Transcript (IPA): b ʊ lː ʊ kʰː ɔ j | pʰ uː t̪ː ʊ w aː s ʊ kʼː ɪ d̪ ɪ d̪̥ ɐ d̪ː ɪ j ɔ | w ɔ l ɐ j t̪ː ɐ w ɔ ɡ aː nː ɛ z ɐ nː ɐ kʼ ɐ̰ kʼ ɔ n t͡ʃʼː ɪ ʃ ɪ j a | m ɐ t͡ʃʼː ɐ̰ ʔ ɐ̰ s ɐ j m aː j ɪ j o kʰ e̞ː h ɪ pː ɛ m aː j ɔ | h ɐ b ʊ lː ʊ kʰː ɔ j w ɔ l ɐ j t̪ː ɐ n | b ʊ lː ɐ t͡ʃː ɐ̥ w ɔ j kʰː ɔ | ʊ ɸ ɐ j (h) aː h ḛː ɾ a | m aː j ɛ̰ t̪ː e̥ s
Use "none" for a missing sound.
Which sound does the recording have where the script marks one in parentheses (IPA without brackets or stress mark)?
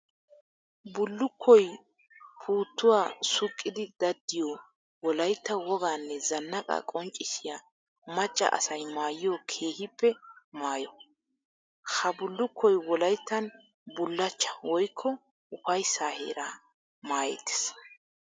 s